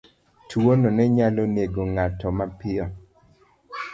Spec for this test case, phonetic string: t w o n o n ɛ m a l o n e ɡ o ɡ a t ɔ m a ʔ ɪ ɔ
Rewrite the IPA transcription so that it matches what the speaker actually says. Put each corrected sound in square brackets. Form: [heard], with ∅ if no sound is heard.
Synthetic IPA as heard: t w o n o n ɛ [ɲ] a l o n e ɡ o [ŋ] a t ɔ m a [p] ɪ ɔ